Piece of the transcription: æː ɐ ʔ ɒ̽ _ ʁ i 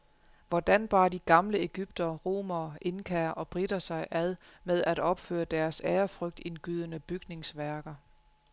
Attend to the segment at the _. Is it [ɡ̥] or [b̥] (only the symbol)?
b̥